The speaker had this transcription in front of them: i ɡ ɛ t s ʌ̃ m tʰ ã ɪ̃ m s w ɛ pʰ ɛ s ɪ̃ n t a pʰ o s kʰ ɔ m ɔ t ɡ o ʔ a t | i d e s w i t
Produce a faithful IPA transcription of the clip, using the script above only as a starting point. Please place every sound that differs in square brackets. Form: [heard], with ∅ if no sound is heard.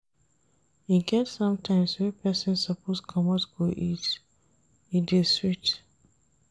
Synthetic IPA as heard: i ɡ ɛ t s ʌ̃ m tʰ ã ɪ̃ m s w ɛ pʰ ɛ s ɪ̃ n [s] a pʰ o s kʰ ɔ m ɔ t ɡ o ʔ [i] t | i d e s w i t